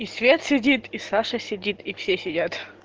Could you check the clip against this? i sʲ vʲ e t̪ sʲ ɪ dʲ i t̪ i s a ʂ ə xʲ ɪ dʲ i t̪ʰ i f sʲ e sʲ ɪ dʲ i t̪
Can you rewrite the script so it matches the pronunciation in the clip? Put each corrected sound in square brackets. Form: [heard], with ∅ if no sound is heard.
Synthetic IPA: i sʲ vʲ e t̪ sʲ ɪ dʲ i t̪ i s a ʂ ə [sʲ] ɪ dʲ i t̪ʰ i f sʲ e sʲ ɪ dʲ [a] t̪